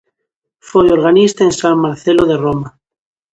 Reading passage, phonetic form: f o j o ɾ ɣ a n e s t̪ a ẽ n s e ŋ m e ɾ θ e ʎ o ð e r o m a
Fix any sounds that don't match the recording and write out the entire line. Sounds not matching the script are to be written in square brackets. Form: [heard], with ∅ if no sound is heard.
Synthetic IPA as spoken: f o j o ɾ ɣ a n [i] s t̪ a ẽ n s [a] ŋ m [a] ɾ θ e [l] o ð e r o m a